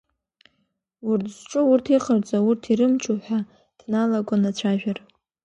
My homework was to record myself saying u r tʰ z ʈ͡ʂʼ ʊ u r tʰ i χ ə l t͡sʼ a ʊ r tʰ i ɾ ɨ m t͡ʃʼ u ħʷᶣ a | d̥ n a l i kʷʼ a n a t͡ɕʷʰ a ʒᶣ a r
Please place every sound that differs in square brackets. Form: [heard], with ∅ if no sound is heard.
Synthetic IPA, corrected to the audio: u r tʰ z ʈ͡ʂʼ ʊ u r tʰ i χ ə [r] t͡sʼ a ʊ r tʰ i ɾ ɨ m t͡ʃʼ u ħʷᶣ a | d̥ n a l [a] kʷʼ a n a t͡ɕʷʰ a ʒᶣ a r